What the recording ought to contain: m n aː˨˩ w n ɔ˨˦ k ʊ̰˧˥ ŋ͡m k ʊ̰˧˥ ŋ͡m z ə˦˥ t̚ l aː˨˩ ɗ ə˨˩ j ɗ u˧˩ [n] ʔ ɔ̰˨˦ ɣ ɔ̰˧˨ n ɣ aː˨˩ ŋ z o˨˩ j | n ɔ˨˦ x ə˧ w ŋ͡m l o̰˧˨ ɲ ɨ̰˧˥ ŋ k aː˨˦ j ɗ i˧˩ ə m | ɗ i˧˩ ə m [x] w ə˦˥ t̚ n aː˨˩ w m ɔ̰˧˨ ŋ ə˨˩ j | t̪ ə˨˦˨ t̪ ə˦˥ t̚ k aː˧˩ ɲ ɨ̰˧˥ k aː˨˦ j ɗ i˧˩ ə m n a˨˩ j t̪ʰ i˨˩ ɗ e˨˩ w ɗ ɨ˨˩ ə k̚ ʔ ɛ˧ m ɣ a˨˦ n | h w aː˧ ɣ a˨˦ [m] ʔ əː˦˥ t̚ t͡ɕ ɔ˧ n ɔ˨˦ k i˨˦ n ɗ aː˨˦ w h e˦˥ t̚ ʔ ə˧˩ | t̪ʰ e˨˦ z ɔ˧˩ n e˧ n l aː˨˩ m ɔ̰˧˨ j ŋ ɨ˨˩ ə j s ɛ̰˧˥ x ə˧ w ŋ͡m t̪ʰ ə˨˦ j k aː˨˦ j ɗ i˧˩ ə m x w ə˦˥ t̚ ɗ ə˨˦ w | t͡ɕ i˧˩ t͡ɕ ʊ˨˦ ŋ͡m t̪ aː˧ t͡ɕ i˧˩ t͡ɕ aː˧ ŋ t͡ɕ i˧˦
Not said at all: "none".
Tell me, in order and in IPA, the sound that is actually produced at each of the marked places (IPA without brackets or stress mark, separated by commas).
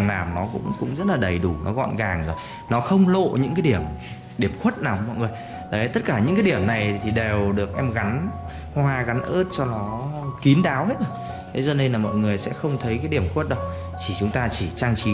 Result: n, x, n